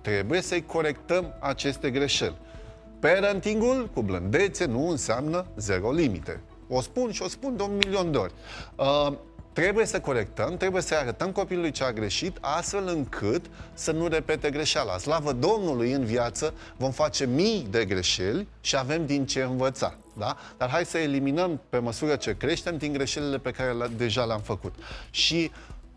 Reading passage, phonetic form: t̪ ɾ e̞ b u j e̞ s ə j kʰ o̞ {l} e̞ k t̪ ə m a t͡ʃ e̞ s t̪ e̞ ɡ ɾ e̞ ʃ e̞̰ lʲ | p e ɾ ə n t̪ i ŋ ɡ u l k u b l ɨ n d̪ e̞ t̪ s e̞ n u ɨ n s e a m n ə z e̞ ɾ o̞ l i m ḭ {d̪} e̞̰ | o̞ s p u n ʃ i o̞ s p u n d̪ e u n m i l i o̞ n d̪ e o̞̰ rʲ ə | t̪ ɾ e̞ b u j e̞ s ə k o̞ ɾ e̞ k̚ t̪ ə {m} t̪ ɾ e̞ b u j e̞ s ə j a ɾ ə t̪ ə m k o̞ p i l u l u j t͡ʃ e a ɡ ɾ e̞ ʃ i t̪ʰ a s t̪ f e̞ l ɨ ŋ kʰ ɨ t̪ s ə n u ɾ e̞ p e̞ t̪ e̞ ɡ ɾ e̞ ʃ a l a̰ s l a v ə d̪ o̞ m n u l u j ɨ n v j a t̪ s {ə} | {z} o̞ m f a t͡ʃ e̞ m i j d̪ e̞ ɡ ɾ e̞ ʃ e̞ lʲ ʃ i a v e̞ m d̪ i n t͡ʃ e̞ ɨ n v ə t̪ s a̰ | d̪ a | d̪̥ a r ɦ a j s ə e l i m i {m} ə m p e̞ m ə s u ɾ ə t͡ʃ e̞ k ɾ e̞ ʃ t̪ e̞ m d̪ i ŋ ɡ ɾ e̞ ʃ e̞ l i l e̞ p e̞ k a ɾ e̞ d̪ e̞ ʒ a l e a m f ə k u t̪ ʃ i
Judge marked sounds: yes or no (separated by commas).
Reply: no, no, yes, yes, no, no